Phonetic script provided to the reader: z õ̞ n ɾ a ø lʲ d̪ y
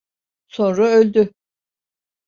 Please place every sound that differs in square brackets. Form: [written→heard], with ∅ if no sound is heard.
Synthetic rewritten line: [z→s] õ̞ n ɾ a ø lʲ d̪ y